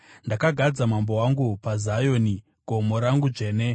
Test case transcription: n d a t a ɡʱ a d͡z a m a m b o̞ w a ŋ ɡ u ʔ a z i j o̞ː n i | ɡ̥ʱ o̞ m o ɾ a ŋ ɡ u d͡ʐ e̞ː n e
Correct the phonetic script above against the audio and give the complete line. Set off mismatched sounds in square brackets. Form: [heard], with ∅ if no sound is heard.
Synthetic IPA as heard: n d a [k] a ɡʱ a d͡z a m a m b o̞ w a ŋ ɡ u [p] a z [a] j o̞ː n i | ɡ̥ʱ o̞ m o ɾ a ŋ ɡ u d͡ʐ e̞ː n e